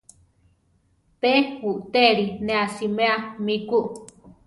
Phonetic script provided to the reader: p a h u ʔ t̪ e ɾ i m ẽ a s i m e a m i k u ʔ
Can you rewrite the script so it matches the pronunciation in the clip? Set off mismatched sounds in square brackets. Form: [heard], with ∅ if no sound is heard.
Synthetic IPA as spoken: p [e] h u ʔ t̪ e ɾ i [n] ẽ a s i m e a m i k u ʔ